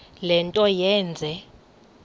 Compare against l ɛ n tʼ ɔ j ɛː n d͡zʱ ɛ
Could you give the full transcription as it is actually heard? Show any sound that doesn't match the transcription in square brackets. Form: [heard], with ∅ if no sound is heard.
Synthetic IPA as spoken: l ɛ n tʼ ɔ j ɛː n d͡zʱ ɛ